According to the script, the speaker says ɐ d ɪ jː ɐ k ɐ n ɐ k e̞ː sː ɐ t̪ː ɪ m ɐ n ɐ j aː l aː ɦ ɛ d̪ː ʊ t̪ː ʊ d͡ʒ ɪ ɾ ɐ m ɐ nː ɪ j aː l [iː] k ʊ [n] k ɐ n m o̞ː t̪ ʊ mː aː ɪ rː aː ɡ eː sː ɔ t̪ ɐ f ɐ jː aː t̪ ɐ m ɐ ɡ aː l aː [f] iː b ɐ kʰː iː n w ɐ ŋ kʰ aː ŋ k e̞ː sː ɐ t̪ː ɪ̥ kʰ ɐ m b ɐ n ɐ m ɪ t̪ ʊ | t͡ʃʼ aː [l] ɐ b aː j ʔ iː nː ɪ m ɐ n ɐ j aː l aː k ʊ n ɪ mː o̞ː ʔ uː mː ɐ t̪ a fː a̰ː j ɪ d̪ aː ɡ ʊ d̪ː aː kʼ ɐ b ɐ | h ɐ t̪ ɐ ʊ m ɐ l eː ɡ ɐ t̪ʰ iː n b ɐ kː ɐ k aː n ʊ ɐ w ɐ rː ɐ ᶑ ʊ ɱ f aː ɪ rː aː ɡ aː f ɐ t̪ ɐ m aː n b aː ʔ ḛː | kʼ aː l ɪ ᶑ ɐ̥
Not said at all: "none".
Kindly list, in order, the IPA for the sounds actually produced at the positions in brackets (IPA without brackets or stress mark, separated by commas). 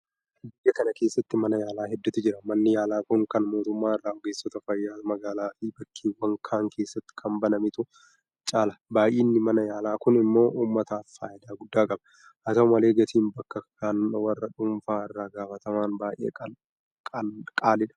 aː, ŋ, f, l